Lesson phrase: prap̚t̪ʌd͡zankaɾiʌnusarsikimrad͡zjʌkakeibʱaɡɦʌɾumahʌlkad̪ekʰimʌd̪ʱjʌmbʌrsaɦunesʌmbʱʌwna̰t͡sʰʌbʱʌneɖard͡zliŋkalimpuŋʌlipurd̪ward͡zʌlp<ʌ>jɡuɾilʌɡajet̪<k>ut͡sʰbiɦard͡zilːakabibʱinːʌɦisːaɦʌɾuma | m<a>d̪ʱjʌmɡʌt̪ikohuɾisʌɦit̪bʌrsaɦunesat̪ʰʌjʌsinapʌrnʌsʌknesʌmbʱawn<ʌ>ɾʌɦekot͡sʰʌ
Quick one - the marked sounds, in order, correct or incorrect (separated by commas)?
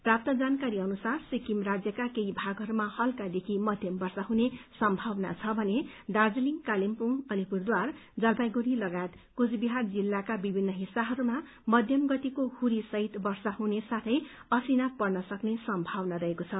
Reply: incorrect, correct, incorrect, incorrect